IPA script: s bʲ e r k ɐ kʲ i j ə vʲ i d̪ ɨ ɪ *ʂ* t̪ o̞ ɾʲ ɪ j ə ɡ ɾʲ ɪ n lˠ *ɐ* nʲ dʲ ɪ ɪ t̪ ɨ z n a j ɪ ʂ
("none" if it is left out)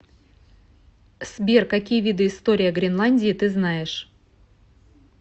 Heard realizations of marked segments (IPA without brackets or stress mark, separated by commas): s, a